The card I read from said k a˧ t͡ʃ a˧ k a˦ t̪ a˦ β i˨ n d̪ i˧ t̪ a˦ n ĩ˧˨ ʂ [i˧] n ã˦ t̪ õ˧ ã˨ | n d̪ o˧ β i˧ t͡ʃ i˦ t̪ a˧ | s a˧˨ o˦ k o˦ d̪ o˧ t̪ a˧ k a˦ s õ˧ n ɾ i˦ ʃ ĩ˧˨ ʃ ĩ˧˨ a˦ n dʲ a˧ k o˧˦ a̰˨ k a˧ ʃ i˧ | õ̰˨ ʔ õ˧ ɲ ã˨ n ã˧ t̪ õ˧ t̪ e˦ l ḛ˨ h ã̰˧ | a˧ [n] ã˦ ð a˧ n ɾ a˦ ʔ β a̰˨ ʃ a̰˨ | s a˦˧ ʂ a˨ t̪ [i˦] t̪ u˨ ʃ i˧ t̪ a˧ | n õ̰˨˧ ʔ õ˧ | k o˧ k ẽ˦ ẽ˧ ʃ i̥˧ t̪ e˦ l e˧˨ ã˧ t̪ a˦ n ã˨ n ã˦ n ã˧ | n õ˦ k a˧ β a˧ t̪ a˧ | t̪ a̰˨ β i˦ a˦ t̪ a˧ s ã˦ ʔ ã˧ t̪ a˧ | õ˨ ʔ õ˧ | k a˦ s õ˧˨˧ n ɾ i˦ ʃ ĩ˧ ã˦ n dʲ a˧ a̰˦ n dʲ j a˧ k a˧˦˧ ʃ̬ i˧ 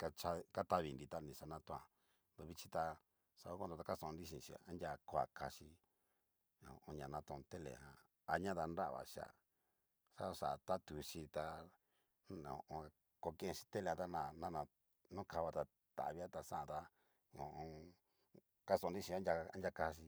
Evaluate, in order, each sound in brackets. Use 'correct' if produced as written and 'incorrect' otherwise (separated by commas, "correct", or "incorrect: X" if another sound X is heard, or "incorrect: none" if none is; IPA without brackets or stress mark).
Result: incorrect: a˧, incorrect: ɲ, incorrect: a˦